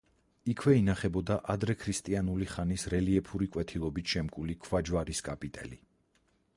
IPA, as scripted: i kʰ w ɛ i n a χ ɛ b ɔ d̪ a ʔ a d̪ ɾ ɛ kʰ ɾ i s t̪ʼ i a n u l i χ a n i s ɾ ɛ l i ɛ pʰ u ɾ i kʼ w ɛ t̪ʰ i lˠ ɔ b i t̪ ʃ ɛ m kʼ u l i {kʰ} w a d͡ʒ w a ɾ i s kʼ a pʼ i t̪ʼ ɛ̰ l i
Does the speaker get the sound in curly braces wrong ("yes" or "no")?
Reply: no